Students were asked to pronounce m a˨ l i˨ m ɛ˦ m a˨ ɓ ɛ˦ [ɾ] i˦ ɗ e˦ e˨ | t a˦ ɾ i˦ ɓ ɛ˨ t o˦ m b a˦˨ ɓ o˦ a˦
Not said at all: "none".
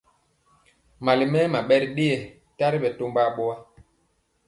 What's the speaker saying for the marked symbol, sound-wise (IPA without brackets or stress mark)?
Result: ɾ